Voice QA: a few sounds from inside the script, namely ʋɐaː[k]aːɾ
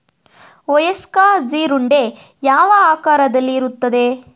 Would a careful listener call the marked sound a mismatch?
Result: no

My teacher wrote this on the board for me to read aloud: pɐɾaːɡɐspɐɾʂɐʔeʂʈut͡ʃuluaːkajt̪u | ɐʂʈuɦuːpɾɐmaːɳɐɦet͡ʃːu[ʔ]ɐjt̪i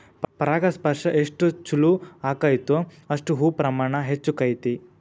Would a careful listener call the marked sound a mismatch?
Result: yes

